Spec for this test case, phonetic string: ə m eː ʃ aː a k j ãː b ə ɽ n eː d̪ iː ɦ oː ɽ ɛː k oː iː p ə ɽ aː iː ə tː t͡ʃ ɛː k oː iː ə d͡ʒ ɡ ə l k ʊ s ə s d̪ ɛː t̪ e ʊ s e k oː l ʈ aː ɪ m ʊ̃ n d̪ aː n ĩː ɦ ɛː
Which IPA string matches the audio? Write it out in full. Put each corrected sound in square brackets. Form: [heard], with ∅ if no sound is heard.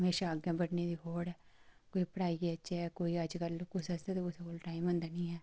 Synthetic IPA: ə m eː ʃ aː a [ɡ] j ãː b ə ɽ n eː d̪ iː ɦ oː ɽ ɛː k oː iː p ə ɽ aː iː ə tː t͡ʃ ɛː k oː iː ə d͡ʒ [k] ə l k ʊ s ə s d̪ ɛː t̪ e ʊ s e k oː l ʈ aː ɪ m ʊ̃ n d̪ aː n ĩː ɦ ɛː